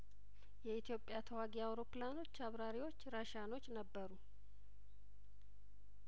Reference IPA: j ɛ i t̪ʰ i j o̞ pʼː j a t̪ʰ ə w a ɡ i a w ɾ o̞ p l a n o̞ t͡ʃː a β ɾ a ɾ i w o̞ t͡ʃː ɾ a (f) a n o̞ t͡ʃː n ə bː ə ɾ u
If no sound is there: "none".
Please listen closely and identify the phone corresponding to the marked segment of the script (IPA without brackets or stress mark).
ʃ